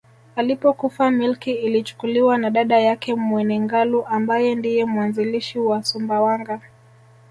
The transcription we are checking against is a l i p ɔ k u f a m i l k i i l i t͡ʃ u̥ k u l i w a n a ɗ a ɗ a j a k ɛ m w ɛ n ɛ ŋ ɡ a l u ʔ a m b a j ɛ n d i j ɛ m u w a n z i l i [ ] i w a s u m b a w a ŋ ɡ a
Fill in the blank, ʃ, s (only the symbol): ʃ